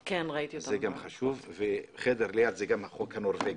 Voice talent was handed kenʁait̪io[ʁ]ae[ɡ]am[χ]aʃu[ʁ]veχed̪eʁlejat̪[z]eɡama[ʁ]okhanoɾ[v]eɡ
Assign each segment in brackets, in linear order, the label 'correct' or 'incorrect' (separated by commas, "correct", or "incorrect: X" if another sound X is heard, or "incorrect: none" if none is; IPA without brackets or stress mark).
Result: incorrect: z, correct, correct, incorrect: v, correct, incorrect: χ, correct